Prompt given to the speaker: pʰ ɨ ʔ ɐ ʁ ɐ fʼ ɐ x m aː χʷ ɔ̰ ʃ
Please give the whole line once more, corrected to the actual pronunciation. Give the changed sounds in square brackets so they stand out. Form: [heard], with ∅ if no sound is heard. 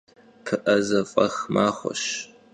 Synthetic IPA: pʰ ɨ ʔ ɐ [z] ɐ fʼ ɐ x m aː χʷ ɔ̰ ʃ